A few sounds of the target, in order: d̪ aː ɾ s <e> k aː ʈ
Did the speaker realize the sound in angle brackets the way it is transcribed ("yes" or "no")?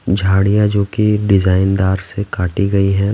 yes